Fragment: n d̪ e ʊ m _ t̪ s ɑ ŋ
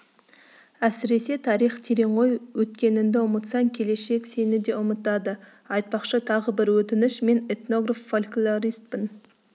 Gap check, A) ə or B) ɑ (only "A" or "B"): A